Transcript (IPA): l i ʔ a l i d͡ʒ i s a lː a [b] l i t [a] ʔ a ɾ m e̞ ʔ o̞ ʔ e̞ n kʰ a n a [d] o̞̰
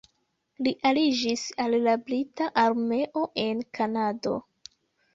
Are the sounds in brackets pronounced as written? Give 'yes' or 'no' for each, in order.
yes, yes, yes

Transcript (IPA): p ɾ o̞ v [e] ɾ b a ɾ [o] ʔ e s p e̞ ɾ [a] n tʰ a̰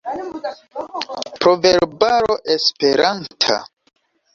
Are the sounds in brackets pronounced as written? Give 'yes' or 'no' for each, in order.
yes, yes, yes

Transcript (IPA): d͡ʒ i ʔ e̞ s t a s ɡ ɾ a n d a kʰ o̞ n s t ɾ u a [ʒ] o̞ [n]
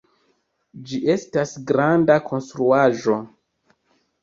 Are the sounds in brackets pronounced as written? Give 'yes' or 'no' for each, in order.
yes, no

